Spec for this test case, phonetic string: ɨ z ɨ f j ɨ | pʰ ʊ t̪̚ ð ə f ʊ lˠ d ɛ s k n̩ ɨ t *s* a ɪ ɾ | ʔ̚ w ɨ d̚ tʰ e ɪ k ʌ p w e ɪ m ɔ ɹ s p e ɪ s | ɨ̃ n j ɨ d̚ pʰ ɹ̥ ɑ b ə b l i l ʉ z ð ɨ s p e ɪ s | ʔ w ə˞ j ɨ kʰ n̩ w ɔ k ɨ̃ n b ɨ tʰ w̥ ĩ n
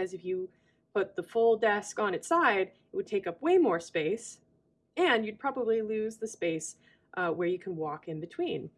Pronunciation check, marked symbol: correct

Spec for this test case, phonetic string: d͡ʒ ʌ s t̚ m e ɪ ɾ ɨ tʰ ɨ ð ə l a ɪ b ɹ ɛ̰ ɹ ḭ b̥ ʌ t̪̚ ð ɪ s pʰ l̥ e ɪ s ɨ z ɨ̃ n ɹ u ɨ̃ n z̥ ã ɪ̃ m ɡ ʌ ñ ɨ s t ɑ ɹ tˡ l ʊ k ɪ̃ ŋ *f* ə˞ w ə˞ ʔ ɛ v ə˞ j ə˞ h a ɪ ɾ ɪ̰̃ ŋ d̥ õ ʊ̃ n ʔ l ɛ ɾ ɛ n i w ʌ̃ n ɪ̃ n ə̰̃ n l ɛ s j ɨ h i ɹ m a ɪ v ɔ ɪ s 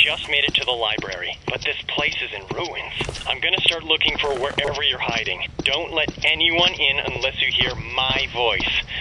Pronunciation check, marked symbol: correct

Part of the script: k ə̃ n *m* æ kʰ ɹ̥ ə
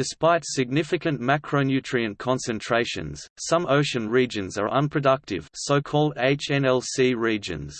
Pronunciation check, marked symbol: correct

